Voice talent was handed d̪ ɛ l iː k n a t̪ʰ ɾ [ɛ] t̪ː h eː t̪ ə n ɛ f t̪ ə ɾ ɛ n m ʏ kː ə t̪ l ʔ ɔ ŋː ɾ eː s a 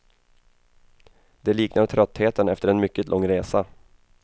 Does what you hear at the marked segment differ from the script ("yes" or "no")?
yes